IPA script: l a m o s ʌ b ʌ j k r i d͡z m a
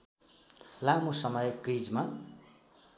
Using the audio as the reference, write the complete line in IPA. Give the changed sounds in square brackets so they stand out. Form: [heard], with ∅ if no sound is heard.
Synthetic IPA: l a m o s ʌ [m] ʌ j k r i d͡z m a